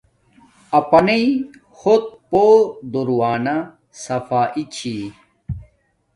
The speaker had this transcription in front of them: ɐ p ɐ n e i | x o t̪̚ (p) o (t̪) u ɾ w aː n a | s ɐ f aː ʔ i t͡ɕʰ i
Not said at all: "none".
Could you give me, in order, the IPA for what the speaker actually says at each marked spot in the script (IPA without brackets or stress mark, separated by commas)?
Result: p, d̪